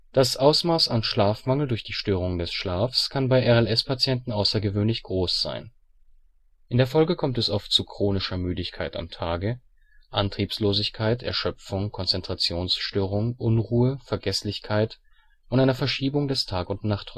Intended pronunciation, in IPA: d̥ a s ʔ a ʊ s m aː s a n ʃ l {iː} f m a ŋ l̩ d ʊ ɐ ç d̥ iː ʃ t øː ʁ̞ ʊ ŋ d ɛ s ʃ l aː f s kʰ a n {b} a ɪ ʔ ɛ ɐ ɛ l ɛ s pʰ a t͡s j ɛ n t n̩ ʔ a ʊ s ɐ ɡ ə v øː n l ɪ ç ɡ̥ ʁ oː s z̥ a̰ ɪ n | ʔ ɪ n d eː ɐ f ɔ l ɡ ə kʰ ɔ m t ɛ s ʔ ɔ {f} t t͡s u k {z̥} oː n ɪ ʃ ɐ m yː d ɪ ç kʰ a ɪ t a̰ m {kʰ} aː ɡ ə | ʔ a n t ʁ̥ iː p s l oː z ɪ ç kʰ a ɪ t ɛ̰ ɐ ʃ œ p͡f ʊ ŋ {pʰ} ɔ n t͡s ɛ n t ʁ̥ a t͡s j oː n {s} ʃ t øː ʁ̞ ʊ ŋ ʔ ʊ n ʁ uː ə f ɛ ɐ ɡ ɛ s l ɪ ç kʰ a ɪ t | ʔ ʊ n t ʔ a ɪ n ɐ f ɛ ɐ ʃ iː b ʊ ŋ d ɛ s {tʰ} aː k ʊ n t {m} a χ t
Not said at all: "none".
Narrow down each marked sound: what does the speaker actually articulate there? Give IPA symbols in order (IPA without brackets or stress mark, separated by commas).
aː, b, f, ʁ̥, tʰ, kʰ, s, tʰ, n